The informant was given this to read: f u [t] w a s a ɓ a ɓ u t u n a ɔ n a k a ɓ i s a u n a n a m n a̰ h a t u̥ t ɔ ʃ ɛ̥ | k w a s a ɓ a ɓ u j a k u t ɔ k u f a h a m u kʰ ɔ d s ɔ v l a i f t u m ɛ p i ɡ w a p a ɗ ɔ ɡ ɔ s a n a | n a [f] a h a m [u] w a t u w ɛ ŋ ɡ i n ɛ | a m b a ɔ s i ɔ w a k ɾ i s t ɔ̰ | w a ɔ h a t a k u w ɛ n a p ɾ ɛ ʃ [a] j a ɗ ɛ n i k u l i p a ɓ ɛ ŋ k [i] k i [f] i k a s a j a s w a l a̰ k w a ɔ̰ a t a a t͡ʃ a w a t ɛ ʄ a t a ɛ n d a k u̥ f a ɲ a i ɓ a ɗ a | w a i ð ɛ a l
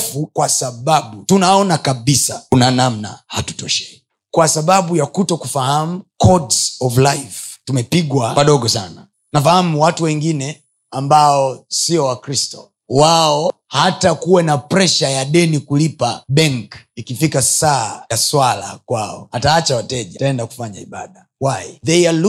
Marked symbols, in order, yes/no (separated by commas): no, yes, yes, yes, yes, yes